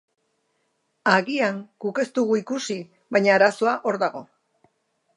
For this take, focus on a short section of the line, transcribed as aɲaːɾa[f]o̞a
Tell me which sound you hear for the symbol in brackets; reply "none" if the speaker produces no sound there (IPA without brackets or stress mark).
s